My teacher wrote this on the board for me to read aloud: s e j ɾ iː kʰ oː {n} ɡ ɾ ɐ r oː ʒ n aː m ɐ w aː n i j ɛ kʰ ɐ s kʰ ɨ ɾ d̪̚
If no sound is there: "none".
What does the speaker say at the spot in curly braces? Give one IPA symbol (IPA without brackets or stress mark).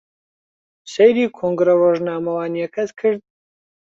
ŋ